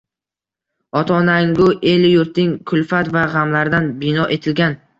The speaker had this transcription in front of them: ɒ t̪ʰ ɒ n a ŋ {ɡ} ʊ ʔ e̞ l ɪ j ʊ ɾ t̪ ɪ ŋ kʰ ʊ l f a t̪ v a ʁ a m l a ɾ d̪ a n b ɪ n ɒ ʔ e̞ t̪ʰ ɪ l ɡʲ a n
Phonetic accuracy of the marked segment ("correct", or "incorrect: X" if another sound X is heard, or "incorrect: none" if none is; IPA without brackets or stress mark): correct